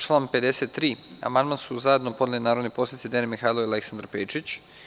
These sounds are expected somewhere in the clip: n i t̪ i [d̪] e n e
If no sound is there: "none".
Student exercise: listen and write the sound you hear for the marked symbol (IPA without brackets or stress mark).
d̪